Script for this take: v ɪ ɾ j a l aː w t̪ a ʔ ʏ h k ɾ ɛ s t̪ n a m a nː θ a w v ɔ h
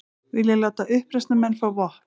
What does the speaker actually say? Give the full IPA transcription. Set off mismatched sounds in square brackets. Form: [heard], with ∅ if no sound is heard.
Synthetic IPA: v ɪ [l] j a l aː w t̪ a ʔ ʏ h [p] ɾ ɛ s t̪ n a m [ɛ] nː [f] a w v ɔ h

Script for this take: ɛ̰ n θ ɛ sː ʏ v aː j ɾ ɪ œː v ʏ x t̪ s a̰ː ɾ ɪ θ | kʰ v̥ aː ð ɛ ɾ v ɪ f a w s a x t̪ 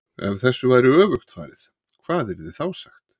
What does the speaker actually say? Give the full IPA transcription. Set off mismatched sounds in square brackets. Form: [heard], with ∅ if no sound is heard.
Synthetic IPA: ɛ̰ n θ ɛ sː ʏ v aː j ɾ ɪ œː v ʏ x t̪ [f] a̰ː ɾ ɪ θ | kʰ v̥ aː ð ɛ ɾ [ð] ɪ [θ] a w s a x t̪

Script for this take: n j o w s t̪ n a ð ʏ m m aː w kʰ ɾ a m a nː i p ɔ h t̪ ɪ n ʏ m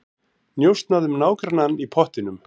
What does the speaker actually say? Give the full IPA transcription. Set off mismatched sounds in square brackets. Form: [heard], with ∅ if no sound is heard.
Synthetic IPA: n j o w s t̪ n a ð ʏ m [n] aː w [k] ɾ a [n] a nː i [pʰ] ɔ h t̪ ɪ n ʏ m

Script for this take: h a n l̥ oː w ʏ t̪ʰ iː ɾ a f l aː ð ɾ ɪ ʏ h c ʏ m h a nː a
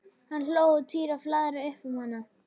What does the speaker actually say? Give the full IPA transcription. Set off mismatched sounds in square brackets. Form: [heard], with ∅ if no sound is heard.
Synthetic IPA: h a n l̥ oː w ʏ t̪ʰ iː ɾ a f l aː ð ɾ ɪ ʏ h [p] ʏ m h a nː a

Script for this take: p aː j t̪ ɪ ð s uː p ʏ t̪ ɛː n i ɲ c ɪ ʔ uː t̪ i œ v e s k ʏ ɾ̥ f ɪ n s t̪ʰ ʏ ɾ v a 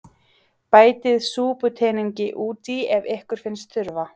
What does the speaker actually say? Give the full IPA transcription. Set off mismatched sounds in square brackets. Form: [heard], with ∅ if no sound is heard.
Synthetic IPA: p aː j t̪ ɪ ð s uː p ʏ [t̪ʰ] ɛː n i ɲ c ɪ ʔ uː t̪ i [ɛ] v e [h] k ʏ ɾ̥ f ɪ n s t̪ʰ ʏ ɾ v a

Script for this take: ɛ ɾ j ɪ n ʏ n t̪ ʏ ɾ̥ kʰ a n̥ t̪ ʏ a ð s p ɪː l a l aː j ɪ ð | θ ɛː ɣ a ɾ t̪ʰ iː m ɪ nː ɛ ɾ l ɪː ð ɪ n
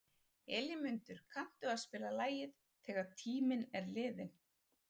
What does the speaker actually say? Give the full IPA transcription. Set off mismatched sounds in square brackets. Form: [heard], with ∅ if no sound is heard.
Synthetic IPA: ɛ [l] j ɪ [m] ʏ n t̪ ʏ ɾ̥ kʰ a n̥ t̪ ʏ a ð s p ɪː l a l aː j ɪ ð | θ ɛː ɣ a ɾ t̪ʰ iː m ɪ [n] ɛ ɾ l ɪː ð ɪ n

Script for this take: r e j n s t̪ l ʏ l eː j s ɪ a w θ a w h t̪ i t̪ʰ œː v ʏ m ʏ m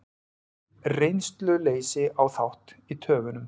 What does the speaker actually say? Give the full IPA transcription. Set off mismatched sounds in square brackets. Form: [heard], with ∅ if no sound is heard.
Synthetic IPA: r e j n s t̪ l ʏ l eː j s ɪ a w θ a w h t̪ i t̪ʰ œː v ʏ [n] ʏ m

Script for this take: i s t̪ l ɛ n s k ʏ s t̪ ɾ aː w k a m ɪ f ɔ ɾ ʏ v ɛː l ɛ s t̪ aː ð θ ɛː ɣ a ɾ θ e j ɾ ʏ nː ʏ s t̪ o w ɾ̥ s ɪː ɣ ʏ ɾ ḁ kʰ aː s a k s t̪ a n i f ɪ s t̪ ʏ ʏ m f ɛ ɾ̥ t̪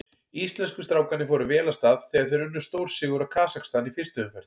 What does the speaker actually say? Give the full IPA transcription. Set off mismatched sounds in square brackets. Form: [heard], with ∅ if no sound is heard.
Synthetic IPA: i s t̪ l ɛ n s k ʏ s t̪ ɾ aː w k a [n] ɪ f ɔ ɾ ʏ v ɛː l [a] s t̪ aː ð θ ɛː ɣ a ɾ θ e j ɾ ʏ nː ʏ s t̪ o w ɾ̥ s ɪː ɣ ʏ ɾ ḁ kʰ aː s a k s t̪ a n i f ɪ s t̪ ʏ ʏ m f ɛ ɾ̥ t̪

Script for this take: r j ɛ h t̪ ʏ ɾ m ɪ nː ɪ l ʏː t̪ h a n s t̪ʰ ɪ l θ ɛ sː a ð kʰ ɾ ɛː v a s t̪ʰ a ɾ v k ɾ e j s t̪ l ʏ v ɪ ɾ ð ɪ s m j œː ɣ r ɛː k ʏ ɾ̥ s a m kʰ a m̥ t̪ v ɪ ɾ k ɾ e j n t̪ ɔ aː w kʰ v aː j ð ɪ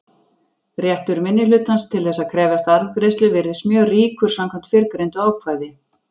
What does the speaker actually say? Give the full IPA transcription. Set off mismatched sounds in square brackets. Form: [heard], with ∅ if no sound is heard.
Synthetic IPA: r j ɛ h t̪ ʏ ɾ m ɪ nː ɪ l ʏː t̪ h a n s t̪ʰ ɪ l θ ɛ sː a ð kʰ ɾ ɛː v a s [t̪] a ɾ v k ɾ e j s t̪ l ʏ v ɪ ɾ ð ɪ s m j œː ɣ r [iː] k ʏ ɾ̥ s a m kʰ a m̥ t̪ [f] ɪ ɾ k ɾ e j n t̪ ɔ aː w kʰ v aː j ð ɪ

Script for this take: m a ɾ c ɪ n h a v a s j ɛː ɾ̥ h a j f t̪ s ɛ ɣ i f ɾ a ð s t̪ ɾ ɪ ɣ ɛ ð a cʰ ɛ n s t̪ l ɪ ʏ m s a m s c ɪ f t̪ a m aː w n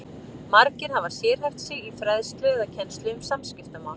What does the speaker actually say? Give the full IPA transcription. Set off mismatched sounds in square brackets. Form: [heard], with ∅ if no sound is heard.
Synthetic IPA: m a ɾ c ɪ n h a v a s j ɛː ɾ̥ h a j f t̪ s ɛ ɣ i f ɾ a ð s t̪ [l] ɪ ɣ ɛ ð a cʰ ɛ n s t̪ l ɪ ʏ m s a m s c ɪ f t̪ a m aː w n

